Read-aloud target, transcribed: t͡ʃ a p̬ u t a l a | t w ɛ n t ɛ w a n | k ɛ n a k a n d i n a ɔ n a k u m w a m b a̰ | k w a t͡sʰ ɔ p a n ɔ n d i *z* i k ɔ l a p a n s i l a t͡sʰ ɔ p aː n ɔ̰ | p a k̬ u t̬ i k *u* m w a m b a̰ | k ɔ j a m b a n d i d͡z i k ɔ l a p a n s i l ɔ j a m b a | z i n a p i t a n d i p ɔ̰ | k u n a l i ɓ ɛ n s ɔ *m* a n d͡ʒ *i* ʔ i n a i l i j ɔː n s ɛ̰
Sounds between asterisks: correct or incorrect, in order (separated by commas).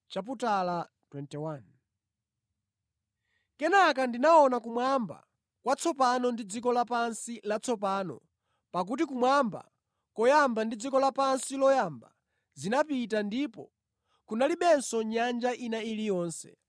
incorrect, correct, incorrect, incorrect